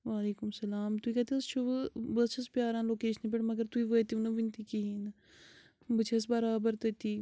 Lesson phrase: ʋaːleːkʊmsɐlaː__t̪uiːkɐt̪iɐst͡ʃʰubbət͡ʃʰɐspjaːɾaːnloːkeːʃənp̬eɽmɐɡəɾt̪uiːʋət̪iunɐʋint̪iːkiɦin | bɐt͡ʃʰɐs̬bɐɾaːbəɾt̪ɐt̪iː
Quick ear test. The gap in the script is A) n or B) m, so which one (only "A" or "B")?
B